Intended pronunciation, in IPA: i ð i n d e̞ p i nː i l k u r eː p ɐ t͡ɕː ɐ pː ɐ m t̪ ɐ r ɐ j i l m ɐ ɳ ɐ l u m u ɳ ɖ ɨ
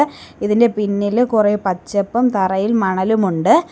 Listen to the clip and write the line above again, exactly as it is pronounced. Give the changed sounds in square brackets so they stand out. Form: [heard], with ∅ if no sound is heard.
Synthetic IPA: i ð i n d e̞ p i nː i l k u r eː p ɐ t͡ɕː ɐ pː ɐ m t̪ ɐ r ɐ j i l m ɐ ɳ ɐ l u m u ɳ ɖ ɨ